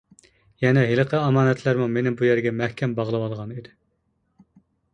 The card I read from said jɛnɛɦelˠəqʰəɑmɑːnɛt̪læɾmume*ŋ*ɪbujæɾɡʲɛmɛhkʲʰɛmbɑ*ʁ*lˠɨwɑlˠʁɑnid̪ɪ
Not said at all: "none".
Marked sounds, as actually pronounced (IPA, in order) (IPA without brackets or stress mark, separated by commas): n, ʁ